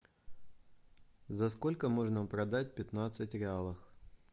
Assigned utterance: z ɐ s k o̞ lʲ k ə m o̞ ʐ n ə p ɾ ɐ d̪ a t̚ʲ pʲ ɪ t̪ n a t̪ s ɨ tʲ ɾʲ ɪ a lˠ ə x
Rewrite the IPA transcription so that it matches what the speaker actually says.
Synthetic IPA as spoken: z ɐ s k o̞ lʲ k ə m o̞ ʐ n ə p ɾ ɐ d̪ a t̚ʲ pʲ ɪ t̪ n a t̪ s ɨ tʲ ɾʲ ɪ a lˠ ə x

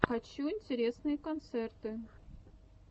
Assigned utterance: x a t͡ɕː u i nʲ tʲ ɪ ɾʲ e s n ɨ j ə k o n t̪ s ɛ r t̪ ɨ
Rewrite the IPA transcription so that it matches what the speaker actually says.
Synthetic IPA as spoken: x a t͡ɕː u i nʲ tʲ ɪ ɾʲ e s n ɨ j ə k o n t̪ s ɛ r t̪ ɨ

